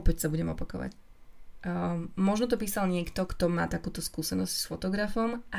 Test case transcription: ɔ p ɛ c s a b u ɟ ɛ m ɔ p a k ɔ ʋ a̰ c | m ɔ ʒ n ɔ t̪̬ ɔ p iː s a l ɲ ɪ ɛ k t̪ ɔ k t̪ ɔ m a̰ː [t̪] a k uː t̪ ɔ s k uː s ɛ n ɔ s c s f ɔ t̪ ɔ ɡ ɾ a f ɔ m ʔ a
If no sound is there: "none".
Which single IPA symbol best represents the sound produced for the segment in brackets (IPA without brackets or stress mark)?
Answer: t̪